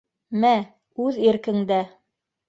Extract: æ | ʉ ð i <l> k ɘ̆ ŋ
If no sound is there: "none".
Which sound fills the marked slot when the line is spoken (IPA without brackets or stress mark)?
ɾ